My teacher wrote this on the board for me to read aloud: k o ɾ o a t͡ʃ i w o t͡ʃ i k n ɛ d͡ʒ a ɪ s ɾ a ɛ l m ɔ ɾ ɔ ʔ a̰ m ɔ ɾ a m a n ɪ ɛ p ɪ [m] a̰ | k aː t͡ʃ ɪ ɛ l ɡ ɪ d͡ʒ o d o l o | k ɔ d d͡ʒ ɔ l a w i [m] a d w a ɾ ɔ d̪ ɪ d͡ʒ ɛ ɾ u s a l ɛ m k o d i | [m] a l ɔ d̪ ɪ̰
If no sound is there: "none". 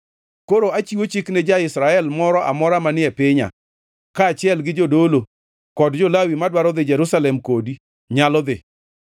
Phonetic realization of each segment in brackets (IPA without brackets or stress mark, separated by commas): ɲ, m, ɲ